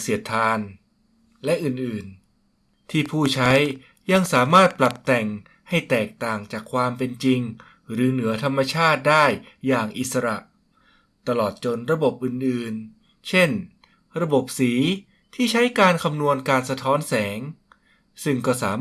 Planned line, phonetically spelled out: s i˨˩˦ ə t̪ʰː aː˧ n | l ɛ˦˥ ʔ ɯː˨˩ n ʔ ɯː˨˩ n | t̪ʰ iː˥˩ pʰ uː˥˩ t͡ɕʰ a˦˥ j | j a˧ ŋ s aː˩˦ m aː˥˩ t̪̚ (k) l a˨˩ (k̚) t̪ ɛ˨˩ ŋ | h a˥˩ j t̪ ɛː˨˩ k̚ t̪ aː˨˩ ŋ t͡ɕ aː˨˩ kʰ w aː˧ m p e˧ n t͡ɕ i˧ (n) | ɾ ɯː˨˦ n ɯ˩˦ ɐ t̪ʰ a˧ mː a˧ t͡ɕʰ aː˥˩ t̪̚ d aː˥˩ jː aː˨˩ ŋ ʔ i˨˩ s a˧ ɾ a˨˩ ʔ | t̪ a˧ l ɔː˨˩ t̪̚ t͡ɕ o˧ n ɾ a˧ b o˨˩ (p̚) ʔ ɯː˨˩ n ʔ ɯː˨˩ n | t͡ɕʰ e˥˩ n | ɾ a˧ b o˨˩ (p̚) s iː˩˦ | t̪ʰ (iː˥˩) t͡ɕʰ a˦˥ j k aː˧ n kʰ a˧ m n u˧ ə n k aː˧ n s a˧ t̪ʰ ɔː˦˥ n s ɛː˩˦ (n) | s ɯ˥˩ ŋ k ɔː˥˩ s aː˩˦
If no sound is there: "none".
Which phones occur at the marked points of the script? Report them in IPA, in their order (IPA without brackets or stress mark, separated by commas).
p, p̚, ŋ, p̚, p̚, iː˥˩, ŋ